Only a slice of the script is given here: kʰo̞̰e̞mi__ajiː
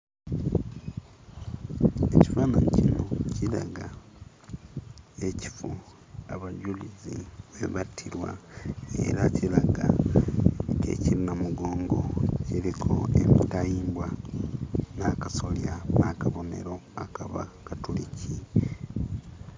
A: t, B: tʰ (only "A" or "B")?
A